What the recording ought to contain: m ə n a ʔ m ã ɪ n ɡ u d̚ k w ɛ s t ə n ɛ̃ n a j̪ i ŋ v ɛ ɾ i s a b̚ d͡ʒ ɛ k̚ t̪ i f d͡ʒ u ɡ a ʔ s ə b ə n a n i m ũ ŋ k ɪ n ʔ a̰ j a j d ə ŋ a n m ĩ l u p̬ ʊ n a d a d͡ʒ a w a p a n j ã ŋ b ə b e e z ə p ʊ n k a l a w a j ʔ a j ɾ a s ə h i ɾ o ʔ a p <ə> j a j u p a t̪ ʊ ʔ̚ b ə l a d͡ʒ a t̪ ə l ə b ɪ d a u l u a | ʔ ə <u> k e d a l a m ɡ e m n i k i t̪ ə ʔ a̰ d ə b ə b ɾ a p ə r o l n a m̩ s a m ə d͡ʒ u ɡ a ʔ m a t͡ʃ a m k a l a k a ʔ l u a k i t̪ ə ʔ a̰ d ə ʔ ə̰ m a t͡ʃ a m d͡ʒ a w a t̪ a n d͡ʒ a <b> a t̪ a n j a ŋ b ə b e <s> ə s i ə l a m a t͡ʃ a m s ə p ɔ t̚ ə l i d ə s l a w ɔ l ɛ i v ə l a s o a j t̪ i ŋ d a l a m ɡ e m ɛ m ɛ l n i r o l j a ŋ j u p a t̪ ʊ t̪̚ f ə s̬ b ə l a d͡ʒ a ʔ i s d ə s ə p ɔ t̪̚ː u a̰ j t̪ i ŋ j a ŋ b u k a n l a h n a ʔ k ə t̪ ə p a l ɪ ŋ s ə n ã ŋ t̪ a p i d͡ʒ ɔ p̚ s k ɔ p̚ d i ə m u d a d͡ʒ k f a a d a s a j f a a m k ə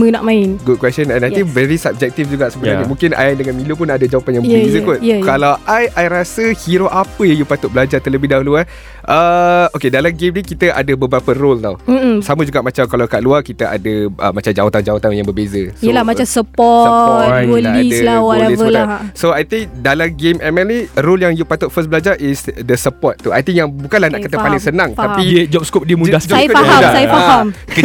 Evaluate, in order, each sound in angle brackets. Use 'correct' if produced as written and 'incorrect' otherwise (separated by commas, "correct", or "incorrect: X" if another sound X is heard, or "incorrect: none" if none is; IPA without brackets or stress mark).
correct, incorrect: o, incorrect: w, incorrect: z